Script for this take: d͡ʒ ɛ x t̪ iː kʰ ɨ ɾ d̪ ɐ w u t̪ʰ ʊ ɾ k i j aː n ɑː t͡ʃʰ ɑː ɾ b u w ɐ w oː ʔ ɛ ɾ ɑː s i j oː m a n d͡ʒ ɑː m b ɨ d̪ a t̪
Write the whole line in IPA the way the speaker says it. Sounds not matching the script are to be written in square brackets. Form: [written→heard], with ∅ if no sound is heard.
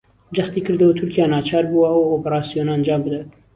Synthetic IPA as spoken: d͡ʒ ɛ x t̪ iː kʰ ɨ ɾ d̪ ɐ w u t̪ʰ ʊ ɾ k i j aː n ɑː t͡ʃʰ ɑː ɾ b u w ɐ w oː [ʔ→p] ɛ ɾ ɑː s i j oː [m→n] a n d͡ʒ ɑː m b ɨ d̪ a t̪